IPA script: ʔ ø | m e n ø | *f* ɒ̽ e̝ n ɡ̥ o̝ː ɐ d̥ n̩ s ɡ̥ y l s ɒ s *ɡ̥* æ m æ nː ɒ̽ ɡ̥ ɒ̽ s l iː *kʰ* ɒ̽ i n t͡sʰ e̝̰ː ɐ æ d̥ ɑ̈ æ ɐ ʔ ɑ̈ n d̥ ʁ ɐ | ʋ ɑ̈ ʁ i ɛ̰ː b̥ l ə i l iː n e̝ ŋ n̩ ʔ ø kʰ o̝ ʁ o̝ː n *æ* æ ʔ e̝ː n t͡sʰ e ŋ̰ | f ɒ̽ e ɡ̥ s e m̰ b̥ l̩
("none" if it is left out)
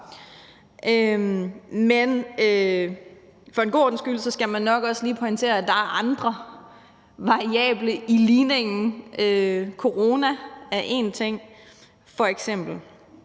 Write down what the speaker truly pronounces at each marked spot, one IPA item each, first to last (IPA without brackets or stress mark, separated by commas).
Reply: f, ɡ̥, pʰ, æ